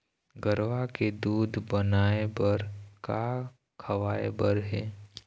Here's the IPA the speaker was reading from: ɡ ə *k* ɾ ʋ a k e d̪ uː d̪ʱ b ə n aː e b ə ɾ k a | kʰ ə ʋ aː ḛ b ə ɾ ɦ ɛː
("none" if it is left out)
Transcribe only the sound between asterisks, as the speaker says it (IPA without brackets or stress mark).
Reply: none